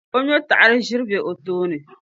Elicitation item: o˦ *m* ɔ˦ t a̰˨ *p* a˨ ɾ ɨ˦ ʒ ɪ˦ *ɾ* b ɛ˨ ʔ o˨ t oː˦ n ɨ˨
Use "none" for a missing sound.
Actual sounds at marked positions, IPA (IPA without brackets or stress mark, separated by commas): ɲ, ʔ, ɾ